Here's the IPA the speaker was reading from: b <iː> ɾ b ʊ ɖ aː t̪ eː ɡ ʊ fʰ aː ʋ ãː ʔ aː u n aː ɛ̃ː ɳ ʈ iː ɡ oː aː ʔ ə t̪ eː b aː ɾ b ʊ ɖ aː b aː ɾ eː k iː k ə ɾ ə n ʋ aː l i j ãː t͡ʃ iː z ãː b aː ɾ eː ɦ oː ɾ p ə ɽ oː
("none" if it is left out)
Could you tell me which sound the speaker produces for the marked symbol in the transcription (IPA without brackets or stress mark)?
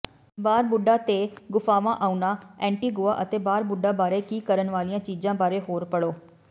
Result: aː